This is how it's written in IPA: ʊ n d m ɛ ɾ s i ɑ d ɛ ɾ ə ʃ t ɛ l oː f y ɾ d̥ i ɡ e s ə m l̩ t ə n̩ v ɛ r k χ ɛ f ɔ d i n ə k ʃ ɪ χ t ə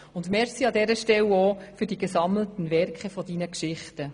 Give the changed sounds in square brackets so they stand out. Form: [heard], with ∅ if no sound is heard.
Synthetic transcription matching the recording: ʊ n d m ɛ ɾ s i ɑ d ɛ ɾ ə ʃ t ɛ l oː f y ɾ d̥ i ɡ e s [ɑ] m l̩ t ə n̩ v ɛ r k χ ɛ f ɔ d i n ə k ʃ ɪ χ t ə